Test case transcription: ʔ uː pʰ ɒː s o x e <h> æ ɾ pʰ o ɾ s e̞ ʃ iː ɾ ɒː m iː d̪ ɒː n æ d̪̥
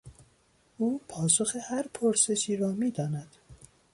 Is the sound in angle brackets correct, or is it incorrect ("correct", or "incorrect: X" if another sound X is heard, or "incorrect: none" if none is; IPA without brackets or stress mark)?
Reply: correct